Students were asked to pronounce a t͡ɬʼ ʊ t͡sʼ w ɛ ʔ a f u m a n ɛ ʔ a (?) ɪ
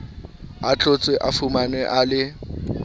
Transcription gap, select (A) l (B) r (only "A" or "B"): A